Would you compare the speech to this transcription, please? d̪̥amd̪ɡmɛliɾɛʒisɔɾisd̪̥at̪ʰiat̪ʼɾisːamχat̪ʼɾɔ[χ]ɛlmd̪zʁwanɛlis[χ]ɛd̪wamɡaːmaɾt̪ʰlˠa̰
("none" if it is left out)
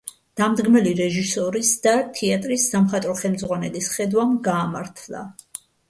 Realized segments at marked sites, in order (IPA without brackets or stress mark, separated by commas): χ, χ